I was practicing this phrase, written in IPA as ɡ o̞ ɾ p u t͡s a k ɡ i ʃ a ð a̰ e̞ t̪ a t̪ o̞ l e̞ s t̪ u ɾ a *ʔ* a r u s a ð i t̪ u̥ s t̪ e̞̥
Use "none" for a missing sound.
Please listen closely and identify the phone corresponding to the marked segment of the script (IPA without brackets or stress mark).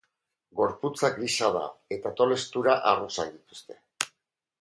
ʔ